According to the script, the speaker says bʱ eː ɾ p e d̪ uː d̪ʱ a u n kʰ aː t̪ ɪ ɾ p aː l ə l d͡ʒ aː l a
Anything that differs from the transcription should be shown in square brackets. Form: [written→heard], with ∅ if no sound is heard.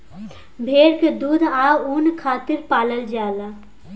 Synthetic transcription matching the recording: bʱ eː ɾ [p→k] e d̪ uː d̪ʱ a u n kʰ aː t̪ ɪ ɾ p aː l ə l d͡ʒ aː l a